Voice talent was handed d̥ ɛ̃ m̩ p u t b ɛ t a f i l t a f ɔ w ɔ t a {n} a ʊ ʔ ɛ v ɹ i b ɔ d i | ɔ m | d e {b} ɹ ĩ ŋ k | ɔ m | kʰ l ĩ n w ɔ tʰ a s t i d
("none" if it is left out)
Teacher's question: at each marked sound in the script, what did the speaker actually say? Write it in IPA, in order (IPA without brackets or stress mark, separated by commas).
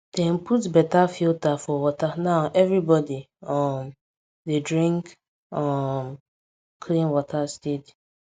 n, d